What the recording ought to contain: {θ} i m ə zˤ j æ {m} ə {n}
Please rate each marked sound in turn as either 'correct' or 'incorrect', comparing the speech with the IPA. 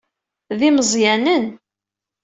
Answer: incorrect, incorrect, correct

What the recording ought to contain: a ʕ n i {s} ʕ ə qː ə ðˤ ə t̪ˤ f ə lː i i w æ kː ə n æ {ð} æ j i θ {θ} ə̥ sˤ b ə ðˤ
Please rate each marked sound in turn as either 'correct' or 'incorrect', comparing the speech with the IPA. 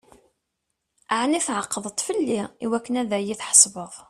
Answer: incorrect, correct, incorrect

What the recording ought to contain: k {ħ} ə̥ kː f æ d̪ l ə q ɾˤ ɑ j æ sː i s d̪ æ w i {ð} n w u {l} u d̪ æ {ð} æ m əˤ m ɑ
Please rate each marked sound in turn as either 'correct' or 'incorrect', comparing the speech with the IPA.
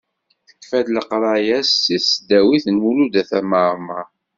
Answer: incorrect, incorrect, correct, incorrect

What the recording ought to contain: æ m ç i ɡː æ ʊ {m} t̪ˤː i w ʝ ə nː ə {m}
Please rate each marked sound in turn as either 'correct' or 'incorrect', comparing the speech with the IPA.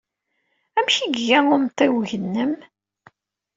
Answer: correct, correct

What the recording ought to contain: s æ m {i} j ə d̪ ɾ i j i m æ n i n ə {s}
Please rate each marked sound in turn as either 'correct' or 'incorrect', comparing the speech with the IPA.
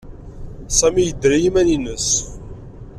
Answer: correct, correct

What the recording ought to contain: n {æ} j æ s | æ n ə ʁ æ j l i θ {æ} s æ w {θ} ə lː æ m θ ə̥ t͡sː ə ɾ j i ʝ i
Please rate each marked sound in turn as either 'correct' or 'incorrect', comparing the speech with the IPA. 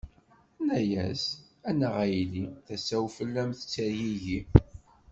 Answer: correct, correct, incorrect

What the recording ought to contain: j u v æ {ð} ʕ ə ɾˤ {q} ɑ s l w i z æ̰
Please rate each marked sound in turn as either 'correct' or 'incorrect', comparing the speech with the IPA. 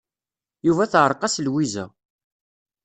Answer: incorrect, correct

